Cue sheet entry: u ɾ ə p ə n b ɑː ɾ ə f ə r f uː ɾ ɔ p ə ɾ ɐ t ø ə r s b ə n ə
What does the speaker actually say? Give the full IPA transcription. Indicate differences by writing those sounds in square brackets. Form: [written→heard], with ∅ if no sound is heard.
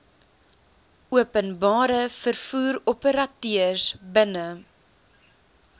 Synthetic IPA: u [ɾ→∅] ə p ə n b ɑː ɾ ə f ə r f uː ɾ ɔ p ə ɾ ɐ t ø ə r s b ə n ə